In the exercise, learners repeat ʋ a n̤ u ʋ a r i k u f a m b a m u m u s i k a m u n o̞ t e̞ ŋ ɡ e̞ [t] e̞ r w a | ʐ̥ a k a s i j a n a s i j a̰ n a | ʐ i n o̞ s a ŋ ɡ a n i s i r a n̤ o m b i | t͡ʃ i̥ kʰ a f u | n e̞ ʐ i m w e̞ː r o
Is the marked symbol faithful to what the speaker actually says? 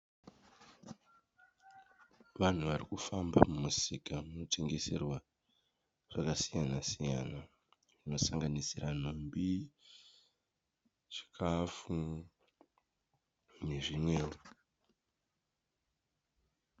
no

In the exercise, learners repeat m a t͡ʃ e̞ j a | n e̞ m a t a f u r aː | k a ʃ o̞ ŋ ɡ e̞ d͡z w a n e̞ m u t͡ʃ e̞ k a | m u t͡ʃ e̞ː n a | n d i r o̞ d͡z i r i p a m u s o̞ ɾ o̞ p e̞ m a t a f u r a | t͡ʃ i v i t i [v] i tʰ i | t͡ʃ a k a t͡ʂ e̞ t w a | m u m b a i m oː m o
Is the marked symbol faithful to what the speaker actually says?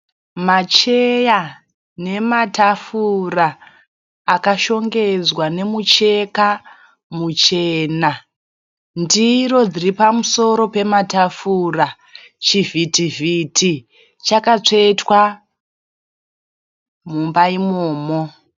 yes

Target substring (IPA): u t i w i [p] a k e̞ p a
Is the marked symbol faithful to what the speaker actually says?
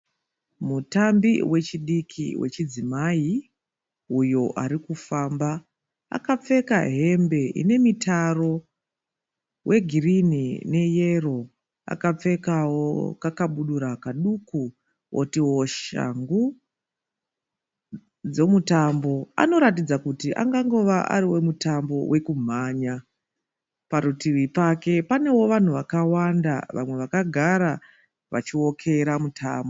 yes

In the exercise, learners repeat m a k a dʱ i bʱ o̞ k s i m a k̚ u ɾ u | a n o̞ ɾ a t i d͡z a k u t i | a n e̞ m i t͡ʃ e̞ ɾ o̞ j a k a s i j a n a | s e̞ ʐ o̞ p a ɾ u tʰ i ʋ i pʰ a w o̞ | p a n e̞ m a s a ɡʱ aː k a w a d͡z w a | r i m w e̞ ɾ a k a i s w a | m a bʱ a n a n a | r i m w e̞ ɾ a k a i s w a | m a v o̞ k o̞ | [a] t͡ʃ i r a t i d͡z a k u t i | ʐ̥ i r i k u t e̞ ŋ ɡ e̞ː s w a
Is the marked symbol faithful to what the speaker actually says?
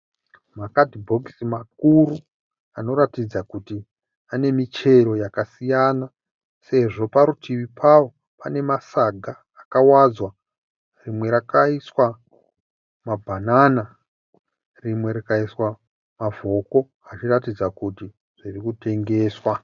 yes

